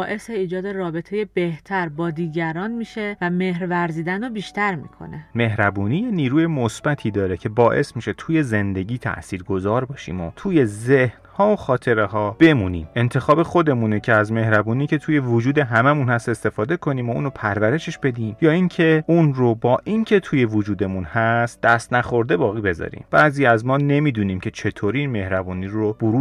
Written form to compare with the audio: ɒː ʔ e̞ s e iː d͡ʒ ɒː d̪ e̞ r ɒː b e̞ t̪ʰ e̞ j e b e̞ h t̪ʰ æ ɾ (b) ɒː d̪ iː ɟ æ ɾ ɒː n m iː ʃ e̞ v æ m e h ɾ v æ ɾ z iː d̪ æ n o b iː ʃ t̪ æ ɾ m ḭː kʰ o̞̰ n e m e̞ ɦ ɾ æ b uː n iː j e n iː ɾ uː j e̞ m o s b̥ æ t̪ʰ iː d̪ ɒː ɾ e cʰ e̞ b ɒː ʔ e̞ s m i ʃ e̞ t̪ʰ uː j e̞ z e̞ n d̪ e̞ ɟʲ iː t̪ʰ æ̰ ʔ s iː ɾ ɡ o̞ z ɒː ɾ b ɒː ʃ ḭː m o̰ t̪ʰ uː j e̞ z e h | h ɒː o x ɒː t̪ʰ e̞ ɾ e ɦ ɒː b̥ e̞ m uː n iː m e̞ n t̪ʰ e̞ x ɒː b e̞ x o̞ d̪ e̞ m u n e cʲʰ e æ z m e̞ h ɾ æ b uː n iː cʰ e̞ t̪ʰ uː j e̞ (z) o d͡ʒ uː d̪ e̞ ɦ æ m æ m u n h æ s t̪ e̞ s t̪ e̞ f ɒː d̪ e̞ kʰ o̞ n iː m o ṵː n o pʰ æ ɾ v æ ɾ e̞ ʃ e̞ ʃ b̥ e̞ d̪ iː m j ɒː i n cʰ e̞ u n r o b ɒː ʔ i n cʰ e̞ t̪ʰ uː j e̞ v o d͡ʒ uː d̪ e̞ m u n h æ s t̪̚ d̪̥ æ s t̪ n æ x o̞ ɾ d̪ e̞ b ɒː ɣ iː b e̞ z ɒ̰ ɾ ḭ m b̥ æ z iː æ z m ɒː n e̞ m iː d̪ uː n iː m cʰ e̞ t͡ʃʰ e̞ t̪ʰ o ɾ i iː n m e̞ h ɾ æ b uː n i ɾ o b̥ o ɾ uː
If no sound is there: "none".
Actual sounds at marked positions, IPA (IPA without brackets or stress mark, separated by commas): b, v